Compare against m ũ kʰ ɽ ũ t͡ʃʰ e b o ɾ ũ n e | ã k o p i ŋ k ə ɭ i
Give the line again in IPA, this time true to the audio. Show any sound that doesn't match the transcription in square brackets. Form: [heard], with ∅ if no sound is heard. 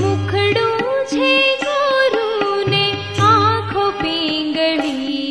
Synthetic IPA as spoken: m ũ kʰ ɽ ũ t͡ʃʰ e [ɡ] o ɾ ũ n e | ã [kʰ] o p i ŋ [ɡ] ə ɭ i